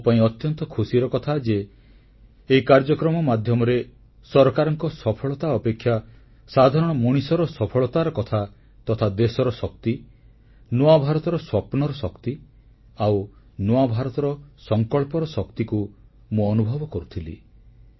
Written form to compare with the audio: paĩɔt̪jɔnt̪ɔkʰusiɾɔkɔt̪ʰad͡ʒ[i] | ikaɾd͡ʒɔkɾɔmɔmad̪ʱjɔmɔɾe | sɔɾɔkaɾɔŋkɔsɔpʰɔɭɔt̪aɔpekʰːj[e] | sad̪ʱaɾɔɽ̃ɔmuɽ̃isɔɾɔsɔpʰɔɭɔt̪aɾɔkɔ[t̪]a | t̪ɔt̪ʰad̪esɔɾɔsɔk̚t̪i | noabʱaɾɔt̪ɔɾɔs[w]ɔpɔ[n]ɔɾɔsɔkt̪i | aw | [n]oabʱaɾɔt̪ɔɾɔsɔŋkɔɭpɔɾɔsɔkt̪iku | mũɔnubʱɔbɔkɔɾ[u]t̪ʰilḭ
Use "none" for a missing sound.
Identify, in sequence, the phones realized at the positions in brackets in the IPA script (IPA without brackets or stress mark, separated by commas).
e, a, t̪ʰ, w, n, n, u